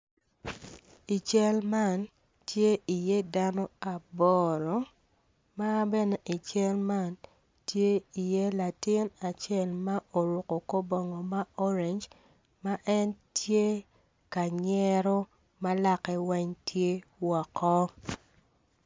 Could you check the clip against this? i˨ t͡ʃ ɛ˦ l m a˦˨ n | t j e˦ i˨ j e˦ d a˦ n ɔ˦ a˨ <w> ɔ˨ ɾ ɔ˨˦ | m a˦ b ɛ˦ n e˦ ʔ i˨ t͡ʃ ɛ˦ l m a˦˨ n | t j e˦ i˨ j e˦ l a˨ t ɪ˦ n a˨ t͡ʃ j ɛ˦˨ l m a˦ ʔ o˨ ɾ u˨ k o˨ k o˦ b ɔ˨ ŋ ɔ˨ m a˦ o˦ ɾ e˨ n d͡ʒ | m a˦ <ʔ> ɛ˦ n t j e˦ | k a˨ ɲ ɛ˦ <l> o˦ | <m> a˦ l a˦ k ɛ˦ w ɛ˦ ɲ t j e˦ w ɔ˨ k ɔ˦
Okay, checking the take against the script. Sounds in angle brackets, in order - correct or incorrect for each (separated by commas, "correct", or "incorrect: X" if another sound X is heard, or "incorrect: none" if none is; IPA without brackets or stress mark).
incorrect: b, correct, incorrect: ɾ, correct